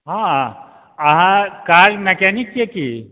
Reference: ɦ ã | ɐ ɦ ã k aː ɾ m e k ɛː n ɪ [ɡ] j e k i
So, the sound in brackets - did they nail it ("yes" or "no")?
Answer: no